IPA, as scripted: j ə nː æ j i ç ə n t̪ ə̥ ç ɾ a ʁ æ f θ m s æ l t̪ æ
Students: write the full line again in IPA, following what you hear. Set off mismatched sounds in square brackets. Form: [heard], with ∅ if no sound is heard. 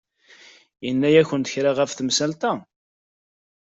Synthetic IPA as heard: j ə nː æ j [æ] ç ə n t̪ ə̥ ç ɾ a ʁ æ f θ m s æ l t̪ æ

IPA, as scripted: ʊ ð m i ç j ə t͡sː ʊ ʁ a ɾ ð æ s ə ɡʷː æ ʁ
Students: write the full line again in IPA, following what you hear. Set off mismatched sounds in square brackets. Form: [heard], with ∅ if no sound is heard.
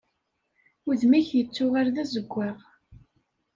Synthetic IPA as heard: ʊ ð m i ç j ə t͡sː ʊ ʁ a ɾ ð æ [z] ə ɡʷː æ ʁ

